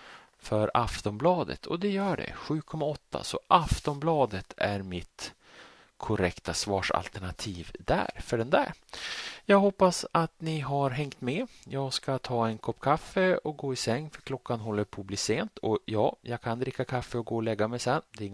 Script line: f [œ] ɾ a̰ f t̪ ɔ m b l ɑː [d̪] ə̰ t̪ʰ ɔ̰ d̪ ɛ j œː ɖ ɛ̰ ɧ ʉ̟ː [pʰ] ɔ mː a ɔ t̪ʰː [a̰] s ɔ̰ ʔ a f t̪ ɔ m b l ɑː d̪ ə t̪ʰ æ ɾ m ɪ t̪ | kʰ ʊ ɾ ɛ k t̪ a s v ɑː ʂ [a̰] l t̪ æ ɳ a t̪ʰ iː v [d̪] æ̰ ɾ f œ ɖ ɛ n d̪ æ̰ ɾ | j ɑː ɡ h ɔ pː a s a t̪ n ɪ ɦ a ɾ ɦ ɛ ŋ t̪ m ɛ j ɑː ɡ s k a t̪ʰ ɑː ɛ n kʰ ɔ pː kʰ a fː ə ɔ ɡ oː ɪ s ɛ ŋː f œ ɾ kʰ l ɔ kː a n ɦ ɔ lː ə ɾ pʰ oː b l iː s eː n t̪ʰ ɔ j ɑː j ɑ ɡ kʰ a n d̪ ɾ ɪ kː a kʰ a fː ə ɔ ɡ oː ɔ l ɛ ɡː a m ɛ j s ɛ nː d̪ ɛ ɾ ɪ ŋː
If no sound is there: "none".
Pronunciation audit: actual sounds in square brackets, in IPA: œ, d̪, kʰ, a̰, a̰, d̪

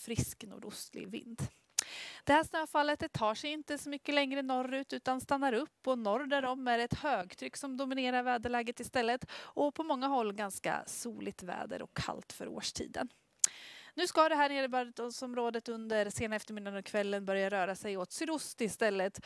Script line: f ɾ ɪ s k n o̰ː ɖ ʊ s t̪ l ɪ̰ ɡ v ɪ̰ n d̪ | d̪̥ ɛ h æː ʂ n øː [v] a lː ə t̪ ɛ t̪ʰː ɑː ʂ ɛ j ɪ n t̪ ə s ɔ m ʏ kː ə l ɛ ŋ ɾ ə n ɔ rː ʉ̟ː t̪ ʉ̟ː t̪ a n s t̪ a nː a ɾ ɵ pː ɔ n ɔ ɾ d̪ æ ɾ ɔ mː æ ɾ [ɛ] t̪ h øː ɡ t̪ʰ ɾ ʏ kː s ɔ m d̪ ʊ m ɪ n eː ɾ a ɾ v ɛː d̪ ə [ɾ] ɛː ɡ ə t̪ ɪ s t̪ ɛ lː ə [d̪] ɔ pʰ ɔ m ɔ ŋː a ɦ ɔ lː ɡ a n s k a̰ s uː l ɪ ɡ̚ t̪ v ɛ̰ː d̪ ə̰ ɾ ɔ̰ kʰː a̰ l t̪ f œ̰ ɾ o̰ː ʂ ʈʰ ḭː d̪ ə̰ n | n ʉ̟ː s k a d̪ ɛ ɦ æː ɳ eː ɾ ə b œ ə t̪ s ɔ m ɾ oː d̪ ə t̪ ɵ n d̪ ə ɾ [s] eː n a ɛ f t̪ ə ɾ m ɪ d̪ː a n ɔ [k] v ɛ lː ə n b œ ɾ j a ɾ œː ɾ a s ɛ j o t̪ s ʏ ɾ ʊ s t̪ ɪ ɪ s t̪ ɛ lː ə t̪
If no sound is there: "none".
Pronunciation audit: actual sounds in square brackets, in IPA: f, ɛ, ɭ, t̪, s, kʰ

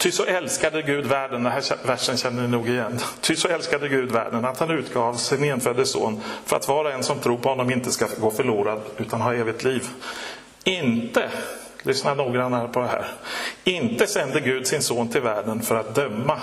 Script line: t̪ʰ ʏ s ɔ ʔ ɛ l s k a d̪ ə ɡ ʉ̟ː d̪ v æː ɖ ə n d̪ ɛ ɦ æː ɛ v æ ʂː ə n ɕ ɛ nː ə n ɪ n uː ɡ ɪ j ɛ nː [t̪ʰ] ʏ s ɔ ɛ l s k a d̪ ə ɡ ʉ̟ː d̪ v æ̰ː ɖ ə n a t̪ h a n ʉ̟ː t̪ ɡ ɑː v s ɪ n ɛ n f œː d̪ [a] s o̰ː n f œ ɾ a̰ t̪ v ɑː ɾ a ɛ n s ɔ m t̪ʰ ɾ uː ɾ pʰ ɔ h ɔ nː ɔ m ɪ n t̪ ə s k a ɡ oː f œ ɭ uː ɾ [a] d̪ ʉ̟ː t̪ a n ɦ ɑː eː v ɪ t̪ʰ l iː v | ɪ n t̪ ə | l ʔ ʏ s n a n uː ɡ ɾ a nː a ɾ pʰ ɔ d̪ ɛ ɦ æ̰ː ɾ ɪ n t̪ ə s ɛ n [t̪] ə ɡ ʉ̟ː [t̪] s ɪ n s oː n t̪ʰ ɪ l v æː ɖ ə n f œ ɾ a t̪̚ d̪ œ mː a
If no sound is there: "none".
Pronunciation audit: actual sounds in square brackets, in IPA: t̪ʰ, ə, a, d̪, d̪

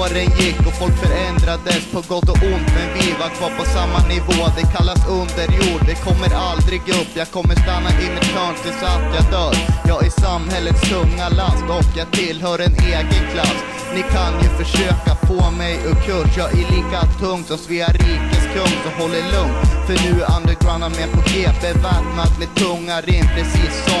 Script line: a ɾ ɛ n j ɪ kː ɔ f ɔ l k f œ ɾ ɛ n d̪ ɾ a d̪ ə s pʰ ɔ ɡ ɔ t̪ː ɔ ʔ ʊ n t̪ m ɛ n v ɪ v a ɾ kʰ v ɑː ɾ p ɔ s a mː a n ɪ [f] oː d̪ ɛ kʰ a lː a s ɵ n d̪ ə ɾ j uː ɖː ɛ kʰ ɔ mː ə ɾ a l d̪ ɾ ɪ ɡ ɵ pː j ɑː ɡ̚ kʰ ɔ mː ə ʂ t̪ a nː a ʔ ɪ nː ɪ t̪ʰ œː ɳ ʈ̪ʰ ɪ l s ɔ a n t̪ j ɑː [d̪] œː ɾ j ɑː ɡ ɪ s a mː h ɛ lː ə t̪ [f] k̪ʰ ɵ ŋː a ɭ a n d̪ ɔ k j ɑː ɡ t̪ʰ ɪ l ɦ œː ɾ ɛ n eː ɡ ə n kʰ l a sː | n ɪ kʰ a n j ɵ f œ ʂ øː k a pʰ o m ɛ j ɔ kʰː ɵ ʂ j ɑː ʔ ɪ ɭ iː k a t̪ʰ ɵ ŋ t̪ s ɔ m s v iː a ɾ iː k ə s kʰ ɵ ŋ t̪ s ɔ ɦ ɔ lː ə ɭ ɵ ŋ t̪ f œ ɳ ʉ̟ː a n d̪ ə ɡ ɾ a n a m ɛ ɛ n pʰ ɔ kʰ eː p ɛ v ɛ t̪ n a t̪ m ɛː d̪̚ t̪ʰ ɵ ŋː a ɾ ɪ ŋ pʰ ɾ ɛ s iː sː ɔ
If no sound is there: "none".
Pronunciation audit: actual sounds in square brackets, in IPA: v, d̪, s

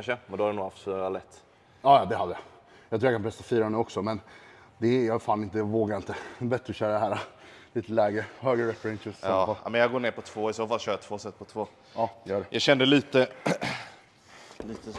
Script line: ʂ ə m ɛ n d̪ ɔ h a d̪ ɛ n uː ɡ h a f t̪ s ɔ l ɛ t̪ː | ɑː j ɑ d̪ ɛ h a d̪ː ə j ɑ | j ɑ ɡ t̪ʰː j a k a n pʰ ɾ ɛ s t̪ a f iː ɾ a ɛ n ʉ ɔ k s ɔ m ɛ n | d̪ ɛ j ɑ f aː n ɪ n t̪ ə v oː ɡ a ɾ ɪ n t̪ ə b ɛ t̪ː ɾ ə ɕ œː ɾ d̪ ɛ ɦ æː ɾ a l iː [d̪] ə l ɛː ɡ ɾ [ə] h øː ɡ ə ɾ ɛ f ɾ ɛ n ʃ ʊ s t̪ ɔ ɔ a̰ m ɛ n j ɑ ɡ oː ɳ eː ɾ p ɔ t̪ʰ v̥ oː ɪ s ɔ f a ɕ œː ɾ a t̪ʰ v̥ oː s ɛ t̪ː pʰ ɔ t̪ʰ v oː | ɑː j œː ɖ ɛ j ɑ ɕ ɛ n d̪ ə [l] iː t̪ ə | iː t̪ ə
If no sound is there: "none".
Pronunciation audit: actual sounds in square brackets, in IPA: t̪, ə, l

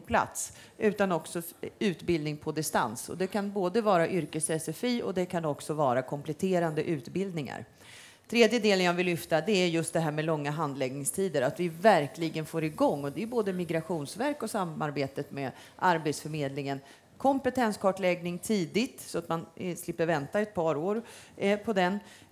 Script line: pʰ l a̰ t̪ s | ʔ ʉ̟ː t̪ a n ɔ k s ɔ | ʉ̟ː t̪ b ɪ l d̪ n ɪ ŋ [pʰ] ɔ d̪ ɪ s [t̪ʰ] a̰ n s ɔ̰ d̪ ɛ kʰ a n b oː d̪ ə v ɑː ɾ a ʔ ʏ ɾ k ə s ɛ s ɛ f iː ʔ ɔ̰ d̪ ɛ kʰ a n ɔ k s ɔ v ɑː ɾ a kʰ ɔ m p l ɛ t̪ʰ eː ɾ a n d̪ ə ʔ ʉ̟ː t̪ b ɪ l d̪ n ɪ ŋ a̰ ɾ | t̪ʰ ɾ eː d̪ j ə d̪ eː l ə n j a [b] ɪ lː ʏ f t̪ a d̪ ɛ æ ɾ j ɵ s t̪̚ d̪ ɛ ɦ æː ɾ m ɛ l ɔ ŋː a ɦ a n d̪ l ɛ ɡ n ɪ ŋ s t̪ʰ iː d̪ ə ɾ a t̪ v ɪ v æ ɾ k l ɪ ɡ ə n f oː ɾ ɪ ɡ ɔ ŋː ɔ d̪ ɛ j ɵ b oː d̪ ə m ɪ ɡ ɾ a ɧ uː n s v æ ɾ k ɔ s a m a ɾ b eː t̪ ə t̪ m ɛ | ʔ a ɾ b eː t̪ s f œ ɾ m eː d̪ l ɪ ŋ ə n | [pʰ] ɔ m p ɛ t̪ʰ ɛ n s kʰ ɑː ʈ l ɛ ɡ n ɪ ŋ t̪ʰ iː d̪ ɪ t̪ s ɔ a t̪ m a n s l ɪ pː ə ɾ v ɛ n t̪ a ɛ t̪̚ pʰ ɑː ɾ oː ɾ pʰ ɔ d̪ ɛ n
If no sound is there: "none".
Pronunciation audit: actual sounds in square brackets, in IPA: pʰ, t̪, v, kʰ

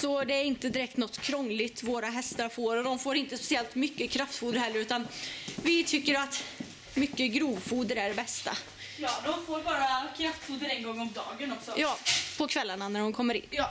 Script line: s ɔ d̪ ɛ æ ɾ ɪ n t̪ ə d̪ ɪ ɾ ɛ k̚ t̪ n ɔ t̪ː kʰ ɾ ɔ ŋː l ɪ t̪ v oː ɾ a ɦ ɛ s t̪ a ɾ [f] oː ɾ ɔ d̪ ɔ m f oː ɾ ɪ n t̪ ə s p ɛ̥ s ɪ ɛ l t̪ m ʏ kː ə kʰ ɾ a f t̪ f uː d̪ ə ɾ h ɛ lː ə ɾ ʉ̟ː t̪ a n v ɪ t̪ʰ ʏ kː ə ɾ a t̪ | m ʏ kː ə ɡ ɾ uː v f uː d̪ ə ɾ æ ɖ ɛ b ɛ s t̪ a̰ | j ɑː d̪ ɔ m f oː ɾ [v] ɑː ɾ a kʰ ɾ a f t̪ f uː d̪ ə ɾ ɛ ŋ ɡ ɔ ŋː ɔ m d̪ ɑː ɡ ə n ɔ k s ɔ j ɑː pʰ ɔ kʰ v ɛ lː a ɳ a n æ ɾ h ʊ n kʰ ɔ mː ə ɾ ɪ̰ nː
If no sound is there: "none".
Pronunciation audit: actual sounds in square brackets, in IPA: f, b

